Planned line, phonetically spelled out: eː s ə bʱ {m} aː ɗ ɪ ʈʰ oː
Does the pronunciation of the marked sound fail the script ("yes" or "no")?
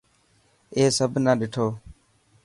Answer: yes